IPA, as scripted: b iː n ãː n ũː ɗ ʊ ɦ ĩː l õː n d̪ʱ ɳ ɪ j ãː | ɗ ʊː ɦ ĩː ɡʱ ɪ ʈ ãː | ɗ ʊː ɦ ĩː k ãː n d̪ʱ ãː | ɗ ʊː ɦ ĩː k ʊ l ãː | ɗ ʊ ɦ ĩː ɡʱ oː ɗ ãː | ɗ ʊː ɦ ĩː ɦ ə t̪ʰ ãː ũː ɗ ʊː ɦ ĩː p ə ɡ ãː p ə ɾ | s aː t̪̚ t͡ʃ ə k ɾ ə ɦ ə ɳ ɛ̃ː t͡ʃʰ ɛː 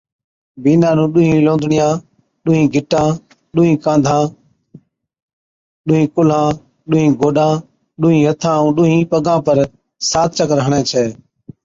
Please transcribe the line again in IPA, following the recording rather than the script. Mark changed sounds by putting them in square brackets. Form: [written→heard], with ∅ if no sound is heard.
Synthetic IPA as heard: b iː n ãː n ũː ɗ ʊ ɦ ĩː l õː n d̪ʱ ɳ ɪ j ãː | ɗ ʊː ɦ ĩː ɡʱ ɪ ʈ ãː | ɗ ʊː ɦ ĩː k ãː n d̪ʱ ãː | ɗ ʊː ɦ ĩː k ʊ l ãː | ɗ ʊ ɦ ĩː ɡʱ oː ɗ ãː | ɗ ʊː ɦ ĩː ɦ ə t̪ʰ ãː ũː ɗ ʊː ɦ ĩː p ə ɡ ãː p ə ɾ | s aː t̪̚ t͡ʃ ə k ɾ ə ɦ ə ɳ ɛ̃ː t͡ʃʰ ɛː